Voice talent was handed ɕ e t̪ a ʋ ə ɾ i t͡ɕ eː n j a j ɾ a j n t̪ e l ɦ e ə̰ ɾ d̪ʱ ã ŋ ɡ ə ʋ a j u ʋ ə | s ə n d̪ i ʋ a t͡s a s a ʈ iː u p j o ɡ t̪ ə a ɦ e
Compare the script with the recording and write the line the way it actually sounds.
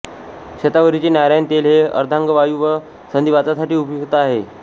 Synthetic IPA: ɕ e t̪ a ʋ ə ɾ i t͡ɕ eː n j a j ɾ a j n t̪ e l ɦ e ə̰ ɾ d̪ʱ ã ŋ ɡ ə ʋ a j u ʋ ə | s ə n d̪ i ʋ a t͡s a s a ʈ iː u p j u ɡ t̪ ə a ɦ e